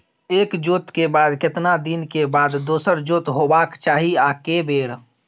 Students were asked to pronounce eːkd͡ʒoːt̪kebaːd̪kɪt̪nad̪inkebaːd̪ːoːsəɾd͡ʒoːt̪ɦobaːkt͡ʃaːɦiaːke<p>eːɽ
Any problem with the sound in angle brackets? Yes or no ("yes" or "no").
yes